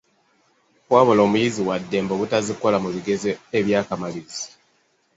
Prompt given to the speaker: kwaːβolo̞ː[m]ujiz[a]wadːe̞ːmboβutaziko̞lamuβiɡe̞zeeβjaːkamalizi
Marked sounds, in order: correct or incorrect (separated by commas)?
correct, incorrect